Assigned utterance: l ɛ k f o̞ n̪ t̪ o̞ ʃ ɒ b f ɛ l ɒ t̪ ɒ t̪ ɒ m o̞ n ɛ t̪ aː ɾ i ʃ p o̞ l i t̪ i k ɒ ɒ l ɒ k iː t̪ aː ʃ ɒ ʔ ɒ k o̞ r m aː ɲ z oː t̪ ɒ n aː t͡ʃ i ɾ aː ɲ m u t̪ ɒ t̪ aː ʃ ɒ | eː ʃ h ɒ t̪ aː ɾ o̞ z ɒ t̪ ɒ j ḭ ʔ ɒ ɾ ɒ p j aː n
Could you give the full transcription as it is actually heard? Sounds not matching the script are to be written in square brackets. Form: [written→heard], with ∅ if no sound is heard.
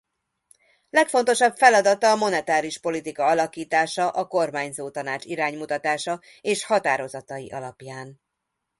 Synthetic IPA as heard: l ɛ k f o̞ n̪ t̪ o̞ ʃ ɒ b f ɛ l ɒ [t̪→d̪] ɒ t̪ [ɒ→ɒː] m o̞ n ɛ t̪ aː ɾ i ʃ p o̞ l i t̪ i k ɒ ɒ l ɒ k iː t̪ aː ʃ ɒ ʔ ɒ k o̞ r m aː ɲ z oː t̪ ɒ n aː t͡ʃ i ɾ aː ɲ m u t̪ ɒ t̪ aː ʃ ɒ | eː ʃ h ɒ t̪ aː ɾ o̞ z ɒ t̪ ɒ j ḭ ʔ ɒ [ɾ→l] ɒ p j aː n

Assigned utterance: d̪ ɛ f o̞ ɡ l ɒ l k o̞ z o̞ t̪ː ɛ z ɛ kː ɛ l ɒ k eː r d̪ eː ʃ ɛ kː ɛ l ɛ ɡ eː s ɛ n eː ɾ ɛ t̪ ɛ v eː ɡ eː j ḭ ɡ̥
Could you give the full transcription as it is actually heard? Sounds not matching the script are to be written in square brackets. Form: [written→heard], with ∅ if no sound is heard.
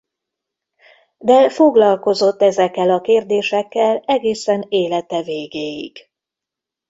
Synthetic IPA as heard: d̪ ɛ f o̞ ɡ l ɒ l k o̞ z o̞ t̪ː ɛ z ɛ kː ɛ l ɒ k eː r d̪ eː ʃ ɛ kː ɛ l ɛ ɡ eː s ɛ n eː [ɾ→l] ɛ t̪ ɛ v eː ɡ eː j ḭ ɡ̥

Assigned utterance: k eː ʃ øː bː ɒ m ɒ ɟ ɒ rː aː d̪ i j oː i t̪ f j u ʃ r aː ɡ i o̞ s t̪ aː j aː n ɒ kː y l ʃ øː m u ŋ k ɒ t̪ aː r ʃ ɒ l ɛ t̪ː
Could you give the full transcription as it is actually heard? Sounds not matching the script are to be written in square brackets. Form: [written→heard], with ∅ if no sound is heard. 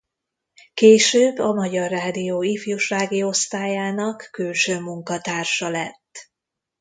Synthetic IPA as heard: k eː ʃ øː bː ɒ m ɒ ɟ ɒ rː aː d̪ i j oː i [t̪→∅] f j u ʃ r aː ɡ i o̞ s t̪ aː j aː n ɒ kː y l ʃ øː m u ŋ k ɒ t̪ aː r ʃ ɒ l ɛ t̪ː

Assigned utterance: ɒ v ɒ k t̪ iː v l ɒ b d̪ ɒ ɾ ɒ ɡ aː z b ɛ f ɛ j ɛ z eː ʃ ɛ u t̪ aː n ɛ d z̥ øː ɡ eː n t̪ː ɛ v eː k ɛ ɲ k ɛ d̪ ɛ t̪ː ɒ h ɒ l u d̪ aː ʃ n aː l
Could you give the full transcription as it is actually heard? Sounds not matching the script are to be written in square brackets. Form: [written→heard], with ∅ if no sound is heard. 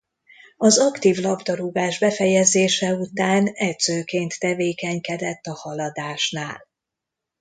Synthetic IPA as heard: ɒ [v→z] ɒ k t̪ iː v l ɒ b d̪ ɒ ɾ [ɒ→u] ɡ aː [z→ʒ] b ɛ f ɛ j ɛ z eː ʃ ɛ u t̪ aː n ɛ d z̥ øː [ɡ→k] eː n t̪ː ɛ v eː k ɛ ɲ k ɛ d̪ ɛ t̪ː ɒ h ɒ l [u→ɒ] d̪ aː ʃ n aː l

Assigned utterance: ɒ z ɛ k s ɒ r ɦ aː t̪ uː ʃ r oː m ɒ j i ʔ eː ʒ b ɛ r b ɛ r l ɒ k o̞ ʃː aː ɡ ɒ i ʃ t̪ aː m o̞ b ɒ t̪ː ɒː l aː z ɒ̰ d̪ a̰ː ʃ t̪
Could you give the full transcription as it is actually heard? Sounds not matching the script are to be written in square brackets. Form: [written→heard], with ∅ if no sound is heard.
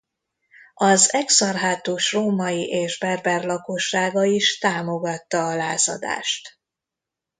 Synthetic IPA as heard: ɒ z ɛ k s ɒ r ɦ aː t̪ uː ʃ r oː m ɒ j i ʔ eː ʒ b ɛ r b ɛ r l ɒ k o̞ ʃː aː ɡ ɒ i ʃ t̪ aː m o̞ [b→ɡ] ɒ t̪ː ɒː l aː z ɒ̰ d̪ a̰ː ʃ t̪

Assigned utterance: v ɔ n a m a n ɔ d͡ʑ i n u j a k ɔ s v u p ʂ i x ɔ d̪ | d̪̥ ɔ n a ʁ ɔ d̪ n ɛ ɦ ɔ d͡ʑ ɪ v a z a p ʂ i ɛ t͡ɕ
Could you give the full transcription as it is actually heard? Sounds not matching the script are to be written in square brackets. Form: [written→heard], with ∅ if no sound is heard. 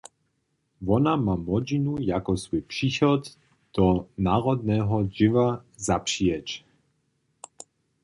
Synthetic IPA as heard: v ɔ n a m a [n→m] ɔ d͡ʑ i n u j a k ɔ s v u p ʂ i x ɔ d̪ | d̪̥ ɔ n a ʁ ɔ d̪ n ɛ ɦ ɔ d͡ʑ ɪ v a z a p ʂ i ɛ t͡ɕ

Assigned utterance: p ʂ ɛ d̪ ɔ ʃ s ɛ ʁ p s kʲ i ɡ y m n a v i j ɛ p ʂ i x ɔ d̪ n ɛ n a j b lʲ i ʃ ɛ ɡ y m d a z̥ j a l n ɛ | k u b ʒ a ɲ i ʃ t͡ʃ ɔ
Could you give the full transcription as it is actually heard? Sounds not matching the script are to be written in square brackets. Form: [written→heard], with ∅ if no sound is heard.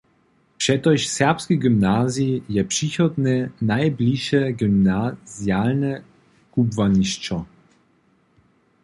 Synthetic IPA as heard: p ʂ ɛ [d̪→t̪] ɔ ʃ s ɛ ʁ p s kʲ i ɡ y m n a [v→z] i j ɛ p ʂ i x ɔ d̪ n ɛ n a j b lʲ i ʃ ɛ ɡ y m [d→n] a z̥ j a l n ɛ | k u b [ʒ→v] a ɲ i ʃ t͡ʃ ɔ

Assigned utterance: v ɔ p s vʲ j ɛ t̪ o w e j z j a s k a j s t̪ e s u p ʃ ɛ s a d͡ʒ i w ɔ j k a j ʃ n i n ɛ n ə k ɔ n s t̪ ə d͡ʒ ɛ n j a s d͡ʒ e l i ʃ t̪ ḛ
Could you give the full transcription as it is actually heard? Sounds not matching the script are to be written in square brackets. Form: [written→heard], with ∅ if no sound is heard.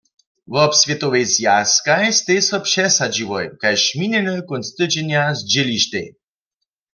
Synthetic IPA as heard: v ɔ p s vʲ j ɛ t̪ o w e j z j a s k a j s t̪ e s [u→ɔ] p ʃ ɛ s a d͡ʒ i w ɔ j k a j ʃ [n→m] i n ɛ n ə k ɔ n s t̪ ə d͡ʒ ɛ n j a [s→z] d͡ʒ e l i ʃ t̪ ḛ

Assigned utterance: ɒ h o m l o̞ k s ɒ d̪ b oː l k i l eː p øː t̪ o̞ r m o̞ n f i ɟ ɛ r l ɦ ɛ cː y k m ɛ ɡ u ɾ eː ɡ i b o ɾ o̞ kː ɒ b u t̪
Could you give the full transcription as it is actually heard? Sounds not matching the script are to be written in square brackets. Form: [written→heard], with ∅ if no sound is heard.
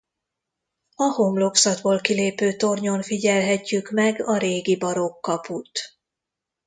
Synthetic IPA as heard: ɒ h o m l o̞ k s ɒ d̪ b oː l k i l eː p øː t̪ o̞ r [m→ɲ] o̞ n f i ɟ ɛ [r→∅] l ɦ ɛ cː y k m ɛ ɡ [u→ɒ] ɾ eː ɡ i b [o→ɒ] ɾ o̞ kː ɒ [b→p] u t̪

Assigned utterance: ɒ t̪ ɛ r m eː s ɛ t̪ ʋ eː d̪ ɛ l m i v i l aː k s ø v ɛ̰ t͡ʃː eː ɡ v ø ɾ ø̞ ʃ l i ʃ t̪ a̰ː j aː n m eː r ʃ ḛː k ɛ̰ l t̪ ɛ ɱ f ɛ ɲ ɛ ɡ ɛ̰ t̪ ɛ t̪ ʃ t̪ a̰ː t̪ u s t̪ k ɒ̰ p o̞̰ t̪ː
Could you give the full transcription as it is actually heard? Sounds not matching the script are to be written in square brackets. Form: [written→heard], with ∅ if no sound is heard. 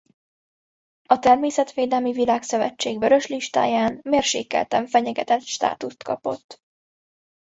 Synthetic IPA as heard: ɒ t̪ ɛ r m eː s ɛ t̪ ʋ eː d̪ ɛ l m i v i l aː k s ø v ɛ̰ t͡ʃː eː ɡ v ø ɾ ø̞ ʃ l i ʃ t̪ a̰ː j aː n m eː r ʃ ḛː k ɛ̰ l t̪ ɛ ɱ f ɛ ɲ ɛ ɡ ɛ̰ t̪ ɛ t̪ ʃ t̪ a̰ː t̪ u s t̪ k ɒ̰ p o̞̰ t̪ː

